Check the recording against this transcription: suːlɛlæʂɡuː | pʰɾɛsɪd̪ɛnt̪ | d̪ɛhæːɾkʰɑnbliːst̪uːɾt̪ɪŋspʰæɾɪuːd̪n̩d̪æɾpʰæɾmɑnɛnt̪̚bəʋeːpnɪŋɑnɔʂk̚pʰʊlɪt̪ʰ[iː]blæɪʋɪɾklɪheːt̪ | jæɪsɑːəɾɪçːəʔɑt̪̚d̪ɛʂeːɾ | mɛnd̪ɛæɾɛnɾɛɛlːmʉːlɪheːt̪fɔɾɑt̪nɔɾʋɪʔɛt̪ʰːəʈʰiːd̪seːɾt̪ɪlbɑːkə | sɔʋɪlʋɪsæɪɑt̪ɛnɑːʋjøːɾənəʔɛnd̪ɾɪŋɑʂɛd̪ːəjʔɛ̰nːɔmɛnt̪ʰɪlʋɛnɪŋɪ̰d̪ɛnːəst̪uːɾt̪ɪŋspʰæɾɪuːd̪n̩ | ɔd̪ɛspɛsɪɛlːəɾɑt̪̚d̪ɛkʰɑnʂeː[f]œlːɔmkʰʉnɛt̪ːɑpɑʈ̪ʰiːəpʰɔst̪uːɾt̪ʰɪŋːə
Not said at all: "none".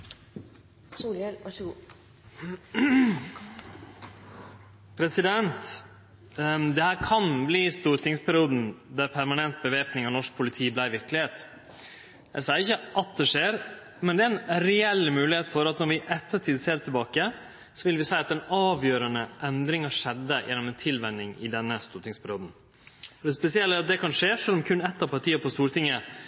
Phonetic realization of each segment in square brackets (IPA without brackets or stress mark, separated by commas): iː, ʂ